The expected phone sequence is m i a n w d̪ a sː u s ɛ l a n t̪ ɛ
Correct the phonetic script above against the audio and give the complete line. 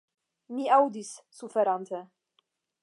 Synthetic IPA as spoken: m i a w d̪ i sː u f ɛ ɾ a n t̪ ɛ